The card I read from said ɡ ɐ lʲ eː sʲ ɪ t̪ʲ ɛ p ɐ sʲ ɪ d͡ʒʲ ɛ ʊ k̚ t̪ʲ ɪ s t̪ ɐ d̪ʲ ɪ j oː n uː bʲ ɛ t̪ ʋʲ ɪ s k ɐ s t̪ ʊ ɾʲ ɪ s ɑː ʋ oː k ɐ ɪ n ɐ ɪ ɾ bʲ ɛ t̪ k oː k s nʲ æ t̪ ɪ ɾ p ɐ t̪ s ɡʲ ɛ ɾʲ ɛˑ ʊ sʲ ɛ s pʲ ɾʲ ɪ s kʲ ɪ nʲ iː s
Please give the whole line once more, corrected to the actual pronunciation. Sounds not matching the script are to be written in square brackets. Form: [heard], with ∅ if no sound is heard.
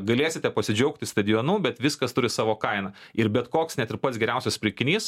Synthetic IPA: ɡ ɐ lʲ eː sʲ ɪ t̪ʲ ɛ p ɐ sʲ ɪ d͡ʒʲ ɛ ʊ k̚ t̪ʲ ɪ s t̪ ɐ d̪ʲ ɪ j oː n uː bʲ ɛ t̪ ʋʲ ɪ s k ɐ s t̪ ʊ ɾʲ ɪ s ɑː ʋ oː k ɐ ɪ n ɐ ɪ ɾ bʲ ɛ t̪ k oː k s nʲ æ t̪ ɪ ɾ p ɐ t̪ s ɡʲ ɛ ɾʲ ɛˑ ʊ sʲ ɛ s pʲ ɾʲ ɪ [∅] kʲ ɪ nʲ iː s